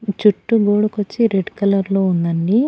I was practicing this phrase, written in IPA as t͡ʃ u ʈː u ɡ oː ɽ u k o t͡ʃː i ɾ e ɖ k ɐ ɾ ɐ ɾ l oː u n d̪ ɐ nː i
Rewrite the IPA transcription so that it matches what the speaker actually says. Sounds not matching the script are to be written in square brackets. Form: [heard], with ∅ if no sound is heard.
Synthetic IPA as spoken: t͡ʃ u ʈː u ɡ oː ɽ u k o t͡ʃː i ɾ e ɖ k ɐ [l] ɐ ɾ l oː u n d̪ ɐ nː i